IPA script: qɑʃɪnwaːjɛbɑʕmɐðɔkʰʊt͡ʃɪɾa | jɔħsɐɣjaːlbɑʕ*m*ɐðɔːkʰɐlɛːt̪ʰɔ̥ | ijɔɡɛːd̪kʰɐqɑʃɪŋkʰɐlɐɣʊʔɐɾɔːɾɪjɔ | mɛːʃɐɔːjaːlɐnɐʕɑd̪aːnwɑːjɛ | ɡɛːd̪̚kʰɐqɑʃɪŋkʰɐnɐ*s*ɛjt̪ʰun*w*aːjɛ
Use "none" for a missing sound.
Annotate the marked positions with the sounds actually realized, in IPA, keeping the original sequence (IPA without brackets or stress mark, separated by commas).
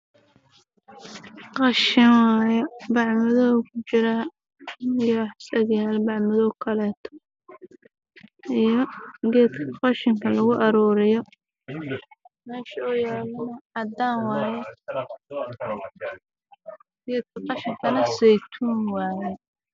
m, s, w